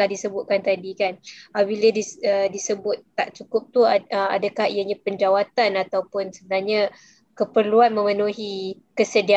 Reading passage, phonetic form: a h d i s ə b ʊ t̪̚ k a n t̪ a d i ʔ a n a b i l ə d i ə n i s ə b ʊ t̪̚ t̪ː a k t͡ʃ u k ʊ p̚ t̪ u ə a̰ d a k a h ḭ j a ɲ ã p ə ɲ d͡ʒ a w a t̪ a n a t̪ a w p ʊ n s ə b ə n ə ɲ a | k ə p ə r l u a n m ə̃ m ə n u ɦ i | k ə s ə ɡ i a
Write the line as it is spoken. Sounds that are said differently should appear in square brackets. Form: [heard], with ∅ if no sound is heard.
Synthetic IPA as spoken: a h d i s ə b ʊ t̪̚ k a n t̪ a d i [k] a n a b i l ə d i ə [d] i s ə b ʊ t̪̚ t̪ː a [ʔ] t͡ʃ u k ʊ p̚ t̪ u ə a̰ d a k a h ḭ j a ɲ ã p ə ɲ d͡ʒ a w a t̪ a n a t̪ a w p ʊ n s ə b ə n [a] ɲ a | k ə p ə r l u a n m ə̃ m ə n u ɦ i | k ə s ə [d] i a